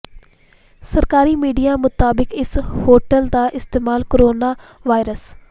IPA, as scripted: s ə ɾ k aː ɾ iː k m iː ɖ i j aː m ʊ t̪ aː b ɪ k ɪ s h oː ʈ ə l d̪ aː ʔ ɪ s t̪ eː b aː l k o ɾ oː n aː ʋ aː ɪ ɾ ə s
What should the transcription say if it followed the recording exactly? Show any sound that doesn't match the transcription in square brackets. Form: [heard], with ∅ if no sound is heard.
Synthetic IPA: s ə ɾ k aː ɾ iː [∅] m iː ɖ i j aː m ʊ t̪ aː b ɪ k ɪ s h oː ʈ ə l d̪ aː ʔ ɪ s t̪ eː [m] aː l k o ɾ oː n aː ʋ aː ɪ ɾ ə s